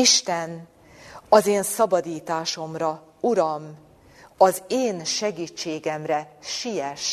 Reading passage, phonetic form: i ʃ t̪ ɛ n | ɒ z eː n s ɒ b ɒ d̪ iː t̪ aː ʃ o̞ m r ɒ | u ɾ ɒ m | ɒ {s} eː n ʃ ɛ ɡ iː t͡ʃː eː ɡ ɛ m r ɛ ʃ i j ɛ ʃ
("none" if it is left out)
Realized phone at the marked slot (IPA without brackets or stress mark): z